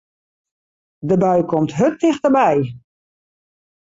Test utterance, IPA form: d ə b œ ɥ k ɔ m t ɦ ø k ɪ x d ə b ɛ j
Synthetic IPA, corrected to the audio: d ə b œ ɥ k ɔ m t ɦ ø t ɪ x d ə b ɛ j